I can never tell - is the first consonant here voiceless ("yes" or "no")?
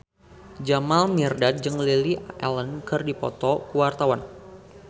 no